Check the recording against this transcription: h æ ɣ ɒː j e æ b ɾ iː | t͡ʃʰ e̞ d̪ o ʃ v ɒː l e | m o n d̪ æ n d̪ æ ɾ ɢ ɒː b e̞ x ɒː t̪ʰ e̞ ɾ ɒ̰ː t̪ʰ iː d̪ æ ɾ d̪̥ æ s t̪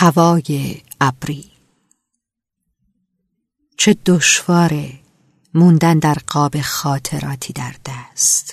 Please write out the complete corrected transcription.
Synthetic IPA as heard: h æ v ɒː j e æ b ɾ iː | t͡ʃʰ e̞ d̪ o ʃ v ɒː ɾ e | m u n d̪ æ n d̪ æ ɾ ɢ ɒː b e̞ x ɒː t̪ʰ e̞ ɾ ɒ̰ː t̪ʰ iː d̪ æ ɾ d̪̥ æ s t̪